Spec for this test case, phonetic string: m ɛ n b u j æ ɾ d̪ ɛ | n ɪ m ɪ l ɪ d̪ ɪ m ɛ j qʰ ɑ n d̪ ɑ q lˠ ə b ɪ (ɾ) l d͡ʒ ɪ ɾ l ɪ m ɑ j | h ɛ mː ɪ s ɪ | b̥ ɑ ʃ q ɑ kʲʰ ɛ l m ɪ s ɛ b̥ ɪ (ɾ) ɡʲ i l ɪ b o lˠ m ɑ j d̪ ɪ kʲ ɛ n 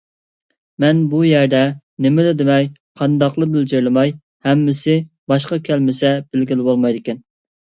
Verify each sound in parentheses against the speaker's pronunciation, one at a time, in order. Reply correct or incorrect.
incorrect: none, incorrect: l

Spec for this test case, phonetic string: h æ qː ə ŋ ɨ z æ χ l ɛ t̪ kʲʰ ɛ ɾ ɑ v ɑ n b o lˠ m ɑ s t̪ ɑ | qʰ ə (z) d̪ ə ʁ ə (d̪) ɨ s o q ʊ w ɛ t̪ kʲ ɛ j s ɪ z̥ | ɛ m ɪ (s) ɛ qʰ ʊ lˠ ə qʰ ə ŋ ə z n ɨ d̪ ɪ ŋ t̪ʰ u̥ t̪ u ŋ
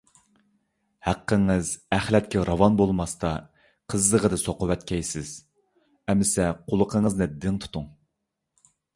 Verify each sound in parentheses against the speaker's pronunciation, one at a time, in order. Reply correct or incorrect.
correct, correct, correct

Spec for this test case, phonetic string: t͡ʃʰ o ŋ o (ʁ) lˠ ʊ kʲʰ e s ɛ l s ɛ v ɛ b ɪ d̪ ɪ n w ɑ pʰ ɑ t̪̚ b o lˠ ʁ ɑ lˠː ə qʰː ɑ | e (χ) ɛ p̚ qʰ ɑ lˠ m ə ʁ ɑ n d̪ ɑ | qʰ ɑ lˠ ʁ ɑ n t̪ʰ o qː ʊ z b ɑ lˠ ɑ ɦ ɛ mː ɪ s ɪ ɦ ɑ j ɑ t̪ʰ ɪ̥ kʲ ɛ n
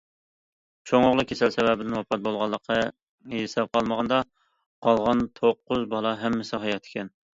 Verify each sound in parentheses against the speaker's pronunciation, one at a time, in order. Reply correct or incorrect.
correct, incorrect: s

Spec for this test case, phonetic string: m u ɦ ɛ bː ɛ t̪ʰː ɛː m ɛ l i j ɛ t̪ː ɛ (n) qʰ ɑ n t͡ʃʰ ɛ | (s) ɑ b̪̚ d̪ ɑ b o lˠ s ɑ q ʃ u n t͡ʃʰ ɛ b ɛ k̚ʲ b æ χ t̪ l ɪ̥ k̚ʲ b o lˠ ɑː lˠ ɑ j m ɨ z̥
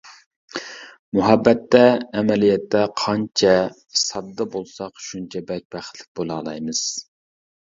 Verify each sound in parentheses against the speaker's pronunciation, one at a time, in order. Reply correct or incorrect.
incorrect: none, correct

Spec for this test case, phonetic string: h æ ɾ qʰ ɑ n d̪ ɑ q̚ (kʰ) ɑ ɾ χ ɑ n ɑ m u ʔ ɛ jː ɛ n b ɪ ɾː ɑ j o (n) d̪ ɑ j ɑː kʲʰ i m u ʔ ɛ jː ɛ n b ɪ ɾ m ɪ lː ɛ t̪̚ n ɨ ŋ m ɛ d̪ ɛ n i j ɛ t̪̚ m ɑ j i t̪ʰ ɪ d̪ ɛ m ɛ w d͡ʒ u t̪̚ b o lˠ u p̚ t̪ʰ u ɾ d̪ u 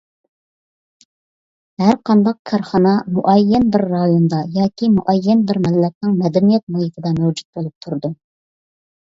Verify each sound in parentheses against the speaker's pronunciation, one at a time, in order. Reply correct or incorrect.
correct, correct

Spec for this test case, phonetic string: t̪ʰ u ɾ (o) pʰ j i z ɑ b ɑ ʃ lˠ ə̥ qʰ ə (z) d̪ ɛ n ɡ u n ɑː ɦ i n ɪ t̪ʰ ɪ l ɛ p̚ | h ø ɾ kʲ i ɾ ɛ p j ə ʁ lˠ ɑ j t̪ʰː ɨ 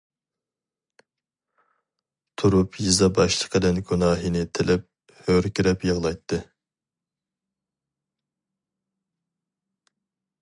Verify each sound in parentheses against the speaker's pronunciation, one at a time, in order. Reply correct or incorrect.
incorrect: u, incorrect: none

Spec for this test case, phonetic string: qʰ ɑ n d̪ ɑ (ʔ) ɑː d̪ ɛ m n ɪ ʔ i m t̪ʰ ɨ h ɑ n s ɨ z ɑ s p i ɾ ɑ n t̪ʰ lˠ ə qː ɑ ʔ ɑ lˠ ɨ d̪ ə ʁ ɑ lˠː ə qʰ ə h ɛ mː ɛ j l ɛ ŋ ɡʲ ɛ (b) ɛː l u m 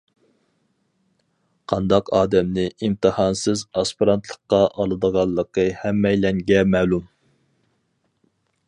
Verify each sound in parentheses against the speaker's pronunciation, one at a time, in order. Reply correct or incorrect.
incorrect: q, incorrect: m

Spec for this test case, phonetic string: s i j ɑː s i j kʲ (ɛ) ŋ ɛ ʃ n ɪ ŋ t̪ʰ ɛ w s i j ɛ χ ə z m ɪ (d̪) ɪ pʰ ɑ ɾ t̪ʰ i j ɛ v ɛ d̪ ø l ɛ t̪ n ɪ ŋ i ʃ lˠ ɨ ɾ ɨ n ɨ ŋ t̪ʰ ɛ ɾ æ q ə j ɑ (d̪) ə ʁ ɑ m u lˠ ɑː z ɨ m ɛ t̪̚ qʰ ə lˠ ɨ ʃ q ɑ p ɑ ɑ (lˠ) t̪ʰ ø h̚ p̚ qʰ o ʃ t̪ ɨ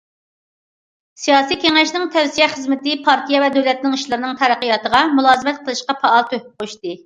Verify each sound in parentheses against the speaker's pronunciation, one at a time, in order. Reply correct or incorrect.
incorrect: e, incorrect: t̪, incorrect: t̪, correct

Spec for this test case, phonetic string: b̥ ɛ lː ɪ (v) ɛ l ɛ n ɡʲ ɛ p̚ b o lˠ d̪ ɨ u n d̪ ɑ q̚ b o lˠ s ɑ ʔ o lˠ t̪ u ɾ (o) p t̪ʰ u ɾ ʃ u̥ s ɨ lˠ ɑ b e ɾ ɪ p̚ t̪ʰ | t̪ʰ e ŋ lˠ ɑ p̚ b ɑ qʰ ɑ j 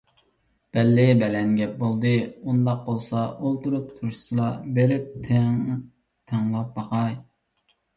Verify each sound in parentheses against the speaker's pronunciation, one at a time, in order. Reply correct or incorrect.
incorrect: b, incorrect: u

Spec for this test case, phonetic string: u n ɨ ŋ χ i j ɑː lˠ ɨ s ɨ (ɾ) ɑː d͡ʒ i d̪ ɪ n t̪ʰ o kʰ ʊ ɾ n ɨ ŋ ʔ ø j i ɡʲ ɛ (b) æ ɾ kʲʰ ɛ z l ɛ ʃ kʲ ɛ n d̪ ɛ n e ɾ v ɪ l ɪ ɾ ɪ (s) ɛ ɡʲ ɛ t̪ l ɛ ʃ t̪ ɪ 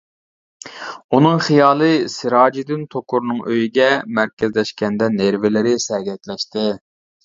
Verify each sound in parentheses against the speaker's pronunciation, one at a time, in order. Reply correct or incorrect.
correct, incorrect: m, correct

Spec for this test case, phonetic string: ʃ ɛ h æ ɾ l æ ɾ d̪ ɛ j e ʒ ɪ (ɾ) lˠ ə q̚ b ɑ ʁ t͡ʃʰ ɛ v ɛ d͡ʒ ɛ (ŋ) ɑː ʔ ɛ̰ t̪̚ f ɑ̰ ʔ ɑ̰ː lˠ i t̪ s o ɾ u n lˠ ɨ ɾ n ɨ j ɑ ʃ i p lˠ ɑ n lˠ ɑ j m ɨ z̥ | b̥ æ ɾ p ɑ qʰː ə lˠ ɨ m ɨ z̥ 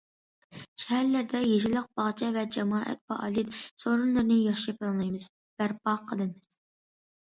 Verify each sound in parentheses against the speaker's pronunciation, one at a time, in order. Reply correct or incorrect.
incorrect: none, incorrect: m

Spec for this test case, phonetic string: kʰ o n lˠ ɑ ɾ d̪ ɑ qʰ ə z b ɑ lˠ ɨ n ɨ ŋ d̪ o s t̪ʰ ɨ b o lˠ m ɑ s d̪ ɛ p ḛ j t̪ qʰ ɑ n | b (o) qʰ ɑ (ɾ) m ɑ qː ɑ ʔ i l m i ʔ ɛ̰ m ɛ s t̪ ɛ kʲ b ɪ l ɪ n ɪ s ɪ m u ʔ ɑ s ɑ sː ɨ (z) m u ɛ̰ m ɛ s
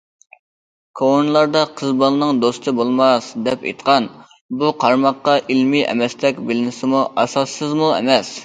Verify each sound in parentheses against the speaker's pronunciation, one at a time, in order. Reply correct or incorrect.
incorrect: u, correct, correct

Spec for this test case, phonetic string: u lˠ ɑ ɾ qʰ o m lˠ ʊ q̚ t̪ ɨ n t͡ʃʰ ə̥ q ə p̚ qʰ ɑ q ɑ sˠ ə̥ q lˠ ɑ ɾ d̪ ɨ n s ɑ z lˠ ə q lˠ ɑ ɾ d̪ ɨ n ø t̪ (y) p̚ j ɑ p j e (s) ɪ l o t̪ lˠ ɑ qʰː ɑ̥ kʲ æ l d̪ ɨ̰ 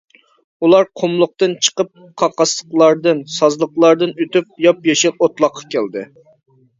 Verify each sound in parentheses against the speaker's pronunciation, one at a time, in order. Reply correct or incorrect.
correct, incorrect: ʃ

